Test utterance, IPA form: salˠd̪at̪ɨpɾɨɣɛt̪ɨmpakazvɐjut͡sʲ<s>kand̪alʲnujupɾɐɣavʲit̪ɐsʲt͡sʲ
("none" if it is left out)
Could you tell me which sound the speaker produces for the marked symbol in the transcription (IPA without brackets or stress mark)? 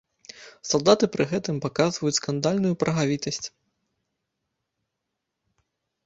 s